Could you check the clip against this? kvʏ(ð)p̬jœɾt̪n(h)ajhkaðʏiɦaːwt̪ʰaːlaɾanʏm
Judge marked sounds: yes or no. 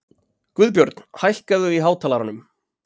yes, yes

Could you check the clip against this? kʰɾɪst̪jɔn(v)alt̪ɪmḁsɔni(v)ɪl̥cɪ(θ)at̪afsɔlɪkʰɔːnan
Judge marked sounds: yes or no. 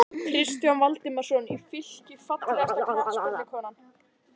yes, no, no

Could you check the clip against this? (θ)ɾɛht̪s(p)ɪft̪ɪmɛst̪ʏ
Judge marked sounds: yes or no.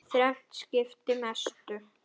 yes, no

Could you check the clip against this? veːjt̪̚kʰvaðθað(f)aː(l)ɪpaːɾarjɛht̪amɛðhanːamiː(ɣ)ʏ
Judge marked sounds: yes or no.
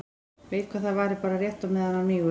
no, no, yes

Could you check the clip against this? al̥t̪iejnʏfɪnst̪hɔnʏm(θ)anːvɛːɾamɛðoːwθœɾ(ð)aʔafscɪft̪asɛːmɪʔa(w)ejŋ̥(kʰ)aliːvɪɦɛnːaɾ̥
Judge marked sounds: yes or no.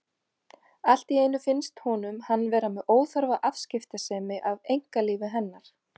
no, no, no, no

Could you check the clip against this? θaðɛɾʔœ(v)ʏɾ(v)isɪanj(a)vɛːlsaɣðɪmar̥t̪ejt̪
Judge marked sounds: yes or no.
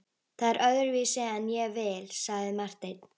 no, yes, no

